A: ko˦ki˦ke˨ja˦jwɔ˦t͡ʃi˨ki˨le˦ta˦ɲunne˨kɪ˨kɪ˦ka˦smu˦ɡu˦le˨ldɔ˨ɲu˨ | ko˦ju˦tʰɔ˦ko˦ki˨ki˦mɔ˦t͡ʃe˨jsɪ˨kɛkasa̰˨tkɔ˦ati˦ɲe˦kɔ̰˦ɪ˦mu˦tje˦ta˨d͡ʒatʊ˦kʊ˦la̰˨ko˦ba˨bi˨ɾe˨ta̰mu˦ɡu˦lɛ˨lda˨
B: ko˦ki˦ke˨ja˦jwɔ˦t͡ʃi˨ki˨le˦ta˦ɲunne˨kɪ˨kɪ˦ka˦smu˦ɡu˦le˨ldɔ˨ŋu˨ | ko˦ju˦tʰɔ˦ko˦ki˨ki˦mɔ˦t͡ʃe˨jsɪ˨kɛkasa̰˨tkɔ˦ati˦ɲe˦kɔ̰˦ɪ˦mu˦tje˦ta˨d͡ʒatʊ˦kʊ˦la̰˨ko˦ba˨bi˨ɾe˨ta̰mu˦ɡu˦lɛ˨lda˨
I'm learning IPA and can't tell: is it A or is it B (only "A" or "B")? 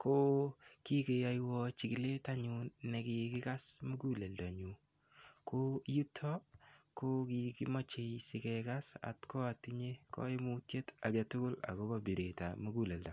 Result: A